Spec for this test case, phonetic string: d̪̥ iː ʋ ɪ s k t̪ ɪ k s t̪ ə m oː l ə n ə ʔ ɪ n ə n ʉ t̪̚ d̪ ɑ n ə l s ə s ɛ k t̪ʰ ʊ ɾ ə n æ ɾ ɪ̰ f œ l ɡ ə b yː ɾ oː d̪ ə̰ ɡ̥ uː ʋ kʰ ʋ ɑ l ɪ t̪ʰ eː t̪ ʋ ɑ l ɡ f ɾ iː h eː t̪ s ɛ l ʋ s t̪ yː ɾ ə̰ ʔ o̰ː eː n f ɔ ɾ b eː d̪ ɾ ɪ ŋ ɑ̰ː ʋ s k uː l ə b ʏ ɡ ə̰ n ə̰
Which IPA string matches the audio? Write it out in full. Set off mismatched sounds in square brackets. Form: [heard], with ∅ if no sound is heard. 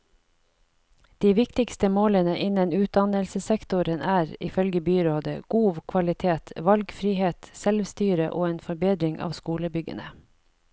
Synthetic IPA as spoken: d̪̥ iː ʋ ɪ [∅] k t̪ ɪ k s t̪ ə m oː l ə n ə ʔ ɪ n ə n [ʉː] t̪̚ d̪ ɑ n ə l s ə s ɛ k [t̪] ʊ ɾ ə n [æː] ɾ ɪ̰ f œ l ɡ ə b yː ɾ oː d̪ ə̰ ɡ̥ uː ʋ kʰ ʋ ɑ l ɪ t̪ʰ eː t̪ ʋ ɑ l ɡ f ɾ iː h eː t̪ s ɛ l ʋ s t̪ yː ɾ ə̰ ʔ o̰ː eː n f ɔ ɾ b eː d̪ ɾ ɪ ŋ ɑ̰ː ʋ s k uː l ə b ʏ ɡ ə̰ n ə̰